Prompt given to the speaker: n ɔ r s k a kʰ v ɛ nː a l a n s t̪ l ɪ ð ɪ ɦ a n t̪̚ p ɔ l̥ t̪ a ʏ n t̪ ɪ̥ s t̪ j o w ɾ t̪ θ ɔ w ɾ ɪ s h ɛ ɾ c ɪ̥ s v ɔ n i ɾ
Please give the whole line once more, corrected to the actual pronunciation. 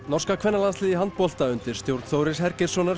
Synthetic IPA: n ɔ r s k a kʰ v ɛ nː a l a n s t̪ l ɪ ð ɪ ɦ a n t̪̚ p ɔ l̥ t̪ a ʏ n t̪ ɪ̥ s t̪ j o w ɾ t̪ θ o w ɾ ɪ s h ɛ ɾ c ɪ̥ s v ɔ n a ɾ